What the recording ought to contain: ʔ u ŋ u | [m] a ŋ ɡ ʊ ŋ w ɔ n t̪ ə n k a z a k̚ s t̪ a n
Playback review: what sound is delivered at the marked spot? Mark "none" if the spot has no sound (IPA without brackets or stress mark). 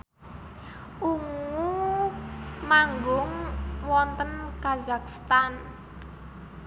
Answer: m